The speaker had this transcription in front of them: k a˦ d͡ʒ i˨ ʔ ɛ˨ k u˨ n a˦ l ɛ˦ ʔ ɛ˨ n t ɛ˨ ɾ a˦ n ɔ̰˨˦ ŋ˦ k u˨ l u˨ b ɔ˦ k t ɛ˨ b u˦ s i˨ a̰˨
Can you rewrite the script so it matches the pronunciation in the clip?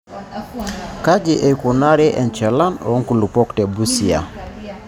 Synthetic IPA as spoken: k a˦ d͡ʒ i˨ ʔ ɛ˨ k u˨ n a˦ ɾ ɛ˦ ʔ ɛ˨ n t͡ʃ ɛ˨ l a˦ n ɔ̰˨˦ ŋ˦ k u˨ l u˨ p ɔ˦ k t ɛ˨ b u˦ s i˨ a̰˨